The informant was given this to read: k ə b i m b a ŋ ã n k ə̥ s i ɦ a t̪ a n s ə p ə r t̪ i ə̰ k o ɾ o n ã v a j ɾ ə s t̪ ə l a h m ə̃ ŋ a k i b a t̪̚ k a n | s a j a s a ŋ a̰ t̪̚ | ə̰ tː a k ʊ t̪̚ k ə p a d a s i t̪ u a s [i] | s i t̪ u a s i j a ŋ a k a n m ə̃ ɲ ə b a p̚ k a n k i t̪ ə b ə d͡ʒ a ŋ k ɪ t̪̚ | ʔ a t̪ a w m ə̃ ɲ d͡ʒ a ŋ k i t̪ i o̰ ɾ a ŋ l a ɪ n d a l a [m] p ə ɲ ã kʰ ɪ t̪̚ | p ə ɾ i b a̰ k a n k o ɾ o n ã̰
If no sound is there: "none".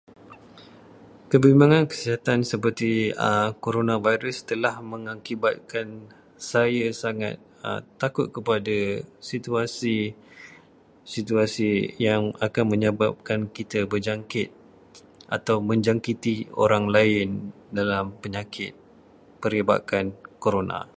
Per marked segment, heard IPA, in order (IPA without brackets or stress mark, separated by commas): i, m